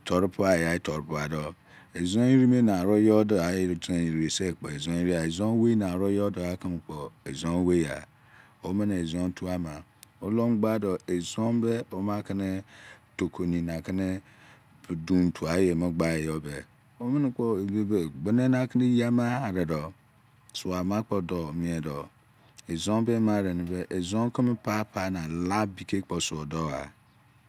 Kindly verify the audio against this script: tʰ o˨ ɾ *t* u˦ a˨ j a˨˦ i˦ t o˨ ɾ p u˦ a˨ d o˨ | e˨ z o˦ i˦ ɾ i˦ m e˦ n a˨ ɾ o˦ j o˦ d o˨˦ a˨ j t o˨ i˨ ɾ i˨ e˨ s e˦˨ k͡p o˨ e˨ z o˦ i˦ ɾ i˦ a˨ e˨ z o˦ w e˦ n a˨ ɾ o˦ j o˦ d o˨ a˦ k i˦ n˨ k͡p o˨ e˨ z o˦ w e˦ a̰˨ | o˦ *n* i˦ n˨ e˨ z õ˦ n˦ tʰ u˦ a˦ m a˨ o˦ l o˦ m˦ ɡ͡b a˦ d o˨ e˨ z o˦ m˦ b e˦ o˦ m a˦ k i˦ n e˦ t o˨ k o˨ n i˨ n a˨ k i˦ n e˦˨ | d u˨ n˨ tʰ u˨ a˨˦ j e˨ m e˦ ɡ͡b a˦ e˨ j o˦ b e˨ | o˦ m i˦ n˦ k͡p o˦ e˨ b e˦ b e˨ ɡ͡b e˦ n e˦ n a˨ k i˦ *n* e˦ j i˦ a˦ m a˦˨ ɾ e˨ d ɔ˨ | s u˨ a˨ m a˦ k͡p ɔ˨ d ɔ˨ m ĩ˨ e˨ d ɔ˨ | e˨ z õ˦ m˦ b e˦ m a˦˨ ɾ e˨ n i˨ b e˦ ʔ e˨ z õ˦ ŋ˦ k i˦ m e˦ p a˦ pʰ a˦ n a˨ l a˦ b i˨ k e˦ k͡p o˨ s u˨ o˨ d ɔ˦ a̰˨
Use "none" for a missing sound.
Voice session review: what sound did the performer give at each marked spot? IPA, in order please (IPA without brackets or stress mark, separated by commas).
p, m, n